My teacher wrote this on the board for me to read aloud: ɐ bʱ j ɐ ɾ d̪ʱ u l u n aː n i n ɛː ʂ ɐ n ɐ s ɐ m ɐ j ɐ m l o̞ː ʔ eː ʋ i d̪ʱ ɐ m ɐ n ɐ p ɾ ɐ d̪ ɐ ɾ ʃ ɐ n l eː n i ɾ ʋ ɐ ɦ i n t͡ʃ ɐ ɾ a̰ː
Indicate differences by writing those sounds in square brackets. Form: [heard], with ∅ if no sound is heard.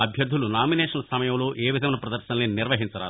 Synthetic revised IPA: ɐ bʱ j ɐ ɾ d̪ʱ u l u n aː [m] i n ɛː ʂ ɐ n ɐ s ɐ m ɐ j ɐ m l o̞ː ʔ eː ʋ i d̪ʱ ɐ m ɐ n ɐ p ɾ ɐ d̪ ɐ ɾ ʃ ɐ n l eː n i ɾ ʋ ɐ ɦ i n t͡ʃ ɐ ɾ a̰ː